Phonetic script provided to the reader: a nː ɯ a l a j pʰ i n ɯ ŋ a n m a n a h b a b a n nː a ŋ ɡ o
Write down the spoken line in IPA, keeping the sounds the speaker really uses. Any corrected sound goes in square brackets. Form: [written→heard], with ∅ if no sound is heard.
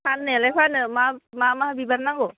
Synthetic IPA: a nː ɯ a l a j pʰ [i→a] n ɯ [ŋ→m] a [n→∅] m a [n→m] a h b [a→i] b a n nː a ŋ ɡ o